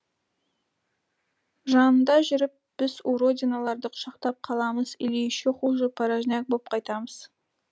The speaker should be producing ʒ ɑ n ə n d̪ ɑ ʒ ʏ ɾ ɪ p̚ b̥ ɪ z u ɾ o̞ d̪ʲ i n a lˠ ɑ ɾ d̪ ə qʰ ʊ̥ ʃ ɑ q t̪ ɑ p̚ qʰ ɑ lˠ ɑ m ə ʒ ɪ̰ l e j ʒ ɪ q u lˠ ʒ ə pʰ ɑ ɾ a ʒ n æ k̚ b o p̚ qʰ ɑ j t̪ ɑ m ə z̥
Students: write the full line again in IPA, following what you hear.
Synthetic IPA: ʒ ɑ n ə n d̪ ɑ ʒ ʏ ɾ ɪ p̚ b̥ ɪ z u ɾ o̞ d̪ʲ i n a lˠ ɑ ɾ d̪ ə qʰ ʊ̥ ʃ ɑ q t̪ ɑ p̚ qʰ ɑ lˠ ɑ m ə z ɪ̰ l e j ʃ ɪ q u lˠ ʒ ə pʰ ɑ ɾ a ʒ n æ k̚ b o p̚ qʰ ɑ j t̪ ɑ m ə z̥